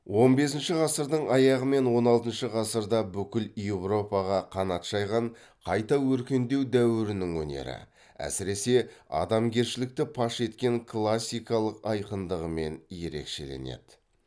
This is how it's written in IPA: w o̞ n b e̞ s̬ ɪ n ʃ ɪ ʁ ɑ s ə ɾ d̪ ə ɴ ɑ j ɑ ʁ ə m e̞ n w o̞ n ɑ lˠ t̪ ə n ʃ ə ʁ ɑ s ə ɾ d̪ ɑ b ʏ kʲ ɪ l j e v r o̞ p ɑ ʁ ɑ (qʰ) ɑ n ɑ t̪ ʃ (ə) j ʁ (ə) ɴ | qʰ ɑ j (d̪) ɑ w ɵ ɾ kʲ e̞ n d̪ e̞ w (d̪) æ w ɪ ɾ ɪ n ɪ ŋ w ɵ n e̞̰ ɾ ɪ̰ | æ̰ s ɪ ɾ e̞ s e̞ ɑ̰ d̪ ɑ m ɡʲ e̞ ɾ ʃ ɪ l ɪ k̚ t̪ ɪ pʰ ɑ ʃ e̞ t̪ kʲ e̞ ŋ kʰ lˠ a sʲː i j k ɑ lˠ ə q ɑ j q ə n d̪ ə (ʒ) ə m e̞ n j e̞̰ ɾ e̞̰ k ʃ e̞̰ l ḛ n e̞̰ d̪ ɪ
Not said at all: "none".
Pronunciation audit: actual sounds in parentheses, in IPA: qʰ, ɑ, ɑ, t̪, d̪, ʁ

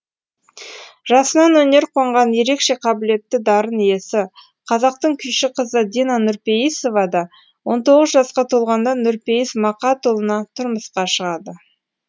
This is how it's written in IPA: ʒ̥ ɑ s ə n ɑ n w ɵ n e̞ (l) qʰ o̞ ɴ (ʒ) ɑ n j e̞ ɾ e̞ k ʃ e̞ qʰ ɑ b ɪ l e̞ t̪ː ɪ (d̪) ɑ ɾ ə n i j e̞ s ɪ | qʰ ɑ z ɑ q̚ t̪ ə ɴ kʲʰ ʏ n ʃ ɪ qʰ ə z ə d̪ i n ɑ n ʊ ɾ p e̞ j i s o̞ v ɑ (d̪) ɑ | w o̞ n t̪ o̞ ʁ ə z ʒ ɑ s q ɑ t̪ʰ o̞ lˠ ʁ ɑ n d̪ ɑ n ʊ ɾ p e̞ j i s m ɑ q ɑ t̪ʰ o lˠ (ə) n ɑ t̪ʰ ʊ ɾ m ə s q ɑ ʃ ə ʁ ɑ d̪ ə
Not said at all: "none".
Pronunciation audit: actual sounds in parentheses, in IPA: ɾ, ʁ, d̪, d̪, ə

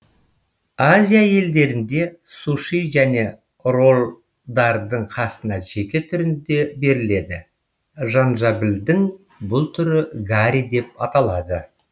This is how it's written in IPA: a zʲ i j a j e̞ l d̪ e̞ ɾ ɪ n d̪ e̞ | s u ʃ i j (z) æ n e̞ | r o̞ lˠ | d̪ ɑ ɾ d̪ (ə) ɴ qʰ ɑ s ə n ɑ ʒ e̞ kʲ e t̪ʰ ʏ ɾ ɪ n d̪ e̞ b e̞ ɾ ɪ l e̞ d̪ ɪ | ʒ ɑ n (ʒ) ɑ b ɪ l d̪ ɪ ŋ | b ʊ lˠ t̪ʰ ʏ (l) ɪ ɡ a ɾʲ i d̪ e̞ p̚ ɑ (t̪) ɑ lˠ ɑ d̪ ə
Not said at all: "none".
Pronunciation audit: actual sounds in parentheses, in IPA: ʒ, ə, ʒ, ɾ, t̪

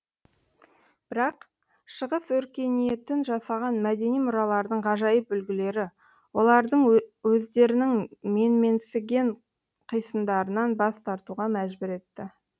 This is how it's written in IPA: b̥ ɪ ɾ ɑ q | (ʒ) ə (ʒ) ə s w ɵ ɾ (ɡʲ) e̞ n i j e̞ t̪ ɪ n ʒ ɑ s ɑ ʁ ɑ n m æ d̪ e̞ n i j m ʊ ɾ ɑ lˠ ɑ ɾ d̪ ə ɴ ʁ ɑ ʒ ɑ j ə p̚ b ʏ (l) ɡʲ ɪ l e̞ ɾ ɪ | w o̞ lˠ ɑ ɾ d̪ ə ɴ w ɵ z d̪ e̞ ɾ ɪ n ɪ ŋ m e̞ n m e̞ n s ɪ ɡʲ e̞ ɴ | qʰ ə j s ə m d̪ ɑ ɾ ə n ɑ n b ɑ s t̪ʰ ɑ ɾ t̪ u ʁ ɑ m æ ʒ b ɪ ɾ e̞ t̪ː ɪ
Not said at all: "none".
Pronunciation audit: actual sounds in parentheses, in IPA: ʃ, ʁ, kʲ, l

